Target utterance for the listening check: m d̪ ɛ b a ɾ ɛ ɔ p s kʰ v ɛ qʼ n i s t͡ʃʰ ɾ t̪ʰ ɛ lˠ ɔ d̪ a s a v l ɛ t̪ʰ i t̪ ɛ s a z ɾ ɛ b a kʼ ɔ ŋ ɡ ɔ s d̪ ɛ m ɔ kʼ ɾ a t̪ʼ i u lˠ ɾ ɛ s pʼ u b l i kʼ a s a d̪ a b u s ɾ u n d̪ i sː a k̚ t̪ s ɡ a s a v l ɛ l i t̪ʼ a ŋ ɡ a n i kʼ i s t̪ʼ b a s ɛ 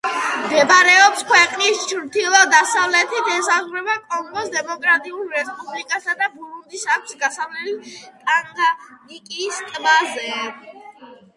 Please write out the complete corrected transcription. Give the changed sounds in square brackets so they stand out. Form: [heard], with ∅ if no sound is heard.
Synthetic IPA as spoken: m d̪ ɛ b a ɾ ɛ ɔ p s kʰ [w] ɛ qʼ n i s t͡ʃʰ ɾ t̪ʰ [i] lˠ ɔ d̪ a s a v l ɛ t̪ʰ i t̪ ɛ s a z ɾ ɛ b a kʼ ɔ ŋ ɡ ɔ s d̪ ɛ m ɔ kʼ ɾ a t̪ʼ i u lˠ ɾ ɛ s pʼ u b l i kʼ a s a d̪ a b u [∅] ɾ u n d̪ i [s] a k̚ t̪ s ɡ a s a v l ɛ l i t̪ʼ a ŋ ɡ a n i kʼ i s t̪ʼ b a [z] ɛ